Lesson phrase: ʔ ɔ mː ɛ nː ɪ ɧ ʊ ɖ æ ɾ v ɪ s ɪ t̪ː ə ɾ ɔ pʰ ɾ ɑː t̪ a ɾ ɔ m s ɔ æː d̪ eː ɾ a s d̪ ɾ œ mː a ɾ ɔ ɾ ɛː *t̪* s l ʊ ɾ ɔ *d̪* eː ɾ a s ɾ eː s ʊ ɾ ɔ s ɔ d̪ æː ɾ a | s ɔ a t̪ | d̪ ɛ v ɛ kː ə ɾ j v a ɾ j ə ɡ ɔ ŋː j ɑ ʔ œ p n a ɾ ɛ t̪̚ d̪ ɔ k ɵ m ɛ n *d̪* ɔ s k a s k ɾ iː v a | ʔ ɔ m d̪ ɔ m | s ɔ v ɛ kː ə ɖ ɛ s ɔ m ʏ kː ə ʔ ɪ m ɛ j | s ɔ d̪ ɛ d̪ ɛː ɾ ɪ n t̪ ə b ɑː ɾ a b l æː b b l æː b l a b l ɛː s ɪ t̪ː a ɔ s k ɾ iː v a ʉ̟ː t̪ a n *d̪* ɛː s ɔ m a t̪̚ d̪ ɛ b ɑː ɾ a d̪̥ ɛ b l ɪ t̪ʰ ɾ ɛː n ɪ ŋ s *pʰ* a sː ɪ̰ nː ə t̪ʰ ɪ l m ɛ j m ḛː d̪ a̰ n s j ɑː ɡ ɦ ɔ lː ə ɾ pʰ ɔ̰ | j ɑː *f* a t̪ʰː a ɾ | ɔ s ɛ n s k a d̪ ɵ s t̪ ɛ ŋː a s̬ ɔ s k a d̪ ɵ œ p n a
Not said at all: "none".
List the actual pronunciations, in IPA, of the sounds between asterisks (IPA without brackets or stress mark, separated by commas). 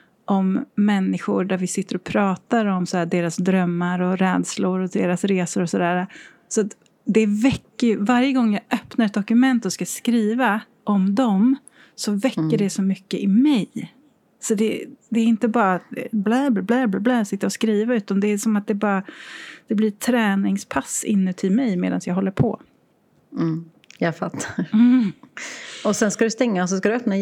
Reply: d̪, d̪, t̪, d̪, pʰ, f